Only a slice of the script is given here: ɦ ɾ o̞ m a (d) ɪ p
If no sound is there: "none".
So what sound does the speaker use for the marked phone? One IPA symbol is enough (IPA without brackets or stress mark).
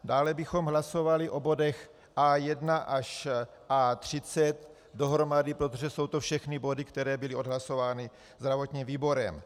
d